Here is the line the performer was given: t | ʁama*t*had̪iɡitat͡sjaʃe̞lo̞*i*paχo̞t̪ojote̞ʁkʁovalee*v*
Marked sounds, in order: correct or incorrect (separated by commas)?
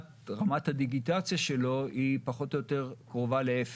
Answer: correct, correct, incorrect